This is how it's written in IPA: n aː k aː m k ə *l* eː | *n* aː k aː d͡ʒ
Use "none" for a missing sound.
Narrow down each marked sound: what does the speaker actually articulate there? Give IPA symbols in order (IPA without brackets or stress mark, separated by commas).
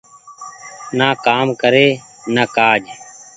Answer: ɾ, n